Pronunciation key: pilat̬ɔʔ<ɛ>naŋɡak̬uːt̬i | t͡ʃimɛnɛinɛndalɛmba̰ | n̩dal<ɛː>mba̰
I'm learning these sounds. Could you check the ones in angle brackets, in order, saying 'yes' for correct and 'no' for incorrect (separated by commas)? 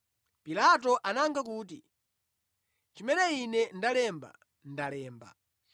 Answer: no, yes